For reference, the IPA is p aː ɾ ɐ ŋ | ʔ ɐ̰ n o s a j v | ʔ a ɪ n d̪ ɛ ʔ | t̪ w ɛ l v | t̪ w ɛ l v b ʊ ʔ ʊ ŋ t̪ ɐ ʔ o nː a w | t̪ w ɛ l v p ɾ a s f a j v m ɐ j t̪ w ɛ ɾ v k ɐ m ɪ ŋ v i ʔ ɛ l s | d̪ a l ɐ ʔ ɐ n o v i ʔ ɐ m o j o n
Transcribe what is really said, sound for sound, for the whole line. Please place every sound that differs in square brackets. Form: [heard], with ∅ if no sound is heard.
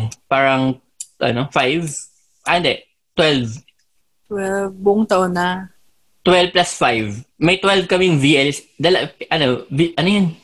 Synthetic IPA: p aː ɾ ɐ ŋ | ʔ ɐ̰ n o [f] a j v | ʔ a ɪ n d̪ ɛ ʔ | t̪ w ɛ l v | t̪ w ɛ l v b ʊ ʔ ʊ ŋ t̪ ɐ ʔ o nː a [∅] | t̪ w ɛ l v p [l] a s f a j v m ɐ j t̪ w ɛ [l] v k ɐ m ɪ ŋ v i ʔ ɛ l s | d̪ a l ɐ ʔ ɐ n o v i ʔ ɐ [n] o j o n